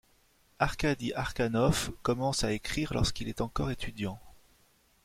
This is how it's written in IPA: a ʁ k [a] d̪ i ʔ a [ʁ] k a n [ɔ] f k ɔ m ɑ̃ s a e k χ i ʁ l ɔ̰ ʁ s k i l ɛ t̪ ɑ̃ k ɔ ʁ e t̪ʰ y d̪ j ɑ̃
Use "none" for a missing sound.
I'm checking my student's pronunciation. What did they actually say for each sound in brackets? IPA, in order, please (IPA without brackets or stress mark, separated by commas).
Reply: a, ʁ, ɔ